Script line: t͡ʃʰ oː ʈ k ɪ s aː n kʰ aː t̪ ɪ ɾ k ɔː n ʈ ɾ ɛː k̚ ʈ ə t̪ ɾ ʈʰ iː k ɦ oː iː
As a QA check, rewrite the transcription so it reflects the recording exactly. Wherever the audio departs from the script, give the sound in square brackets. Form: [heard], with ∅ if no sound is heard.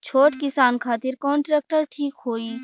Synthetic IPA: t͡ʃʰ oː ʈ k ɪ s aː n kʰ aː t̪ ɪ ɾ k ɔː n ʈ ɾ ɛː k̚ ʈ ə [∅] ɾ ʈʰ iː k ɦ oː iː